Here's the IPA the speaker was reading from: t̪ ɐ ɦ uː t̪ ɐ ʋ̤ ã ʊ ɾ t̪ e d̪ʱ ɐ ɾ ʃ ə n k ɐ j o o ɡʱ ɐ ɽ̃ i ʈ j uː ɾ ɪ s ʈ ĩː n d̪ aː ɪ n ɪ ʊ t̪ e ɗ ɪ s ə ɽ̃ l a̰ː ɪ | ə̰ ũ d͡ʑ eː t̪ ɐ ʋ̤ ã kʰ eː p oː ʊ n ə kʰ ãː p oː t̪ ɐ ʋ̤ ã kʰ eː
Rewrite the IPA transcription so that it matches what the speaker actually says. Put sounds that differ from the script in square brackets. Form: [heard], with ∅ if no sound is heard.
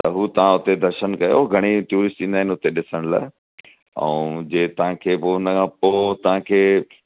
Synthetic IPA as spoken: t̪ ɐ ɦ uː t̪ ɐ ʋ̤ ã ʊ [∅] t̪ e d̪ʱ ɐ ɾ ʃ ə n k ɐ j o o ɡʱ ɐ ɽ̃ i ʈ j uː ɾ ɪ s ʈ ĩː n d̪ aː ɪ n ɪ ʊ t̪ e ɗ ɪ s ə ɽ̃ l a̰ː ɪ | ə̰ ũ d͡ʑ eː t̪ ɐ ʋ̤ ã kʰ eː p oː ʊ n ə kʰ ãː p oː t̪ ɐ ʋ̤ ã kʰ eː

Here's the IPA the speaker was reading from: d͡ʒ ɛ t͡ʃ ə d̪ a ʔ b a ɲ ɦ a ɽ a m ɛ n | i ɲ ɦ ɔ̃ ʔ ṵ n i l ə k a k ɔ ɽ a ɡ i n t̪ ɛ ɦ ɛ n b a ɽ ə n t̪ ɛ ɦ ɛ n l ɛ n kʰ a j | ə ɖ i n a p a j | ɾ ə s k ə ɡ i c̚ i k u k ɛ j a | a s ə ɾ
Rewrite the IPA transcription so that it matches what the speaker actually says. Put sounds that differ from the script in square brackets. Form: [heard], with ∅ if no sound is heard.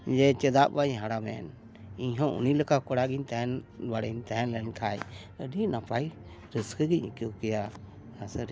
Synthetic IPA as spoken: d͡ʒ ɛ t͡ʃ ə d̪ a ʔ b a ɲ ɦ a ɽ a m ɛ n | i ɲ ɦ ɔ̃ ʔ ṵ n i l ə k a k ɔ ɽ a ɡ i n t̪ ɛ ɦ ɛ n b a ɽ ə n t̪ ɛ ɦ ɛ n l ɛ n kʰ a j | ə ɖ i n a p a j | ɾ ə s k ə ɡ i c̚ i k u k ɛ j a | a s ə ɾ

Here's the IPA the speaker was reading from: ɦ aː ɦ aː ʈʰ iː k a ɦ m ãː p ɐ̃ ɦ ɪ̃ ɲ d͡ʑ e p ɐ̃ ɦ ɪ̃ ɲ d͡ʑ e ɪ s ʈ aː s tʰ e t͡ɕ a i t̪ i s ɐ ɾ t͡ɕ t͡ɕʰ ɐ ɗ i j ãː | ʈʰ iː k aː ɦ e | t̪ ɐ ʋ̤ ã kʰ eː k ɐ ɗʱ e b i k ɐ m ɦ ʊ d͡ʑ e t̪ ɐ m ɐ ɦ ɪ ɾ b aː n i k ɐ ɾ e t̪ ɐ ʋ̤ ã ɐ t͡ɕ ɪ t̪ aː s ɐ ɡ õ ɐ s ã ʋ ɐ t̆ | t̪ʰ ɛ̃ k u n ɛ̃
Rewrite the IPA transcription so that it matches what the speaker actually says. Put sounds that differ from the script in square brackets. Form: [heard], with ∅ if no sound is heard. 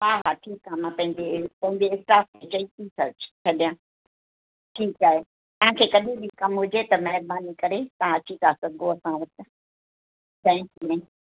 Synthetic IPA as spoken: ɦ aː ɦ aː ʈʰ iː k a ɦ m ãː p ɐ̃ ɦ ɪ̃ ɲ d͡ʑ e p ɐ̃ ɦ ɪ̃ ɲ d͡ʑ e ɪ s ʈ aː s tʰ e t͡ɕ [ɐ] i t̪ i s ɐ ɾ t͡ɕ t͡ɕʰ ɐ ɗ i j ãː | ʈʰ iː k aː ɦ e | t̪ ɐ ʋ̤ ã kʰ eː k ɐ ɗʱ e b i k ɐ m ɦ ʊ d͡ʑ e t̪ ɐ m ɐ ɦ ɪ ɾ b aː n i k ɐ ɾ e t̪ ɐ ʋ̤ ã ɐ t͡ɕ [i] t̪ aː s ɐ ɡ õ ɐ s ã ʋ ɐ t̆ | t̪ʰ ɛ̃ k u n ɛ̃

